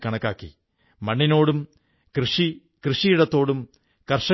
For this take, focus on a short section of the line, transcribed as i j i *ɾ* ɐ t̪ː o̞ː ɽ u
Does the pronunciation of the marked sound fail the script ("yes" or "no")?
yes